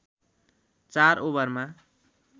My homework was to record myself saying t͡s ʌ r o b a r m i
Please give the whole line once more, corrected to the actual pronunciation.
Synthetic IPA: t͡s a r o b ʌ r m a